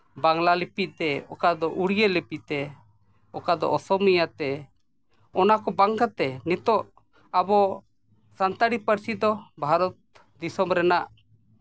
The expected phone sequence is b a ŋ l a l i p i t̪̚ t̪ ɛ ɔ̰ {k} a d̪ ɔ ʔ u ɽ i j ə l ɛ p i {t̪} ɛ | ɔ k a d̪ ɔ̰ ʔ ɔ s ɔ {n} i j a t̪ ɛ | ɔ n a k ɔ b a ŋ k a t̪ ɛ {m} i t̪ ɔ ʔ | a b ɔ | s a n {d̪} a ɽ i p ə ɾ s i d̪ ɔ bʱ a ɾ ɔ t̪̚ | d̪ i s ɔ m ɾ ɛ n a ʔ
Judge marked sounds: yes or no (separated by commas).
yes, yes, no, no, no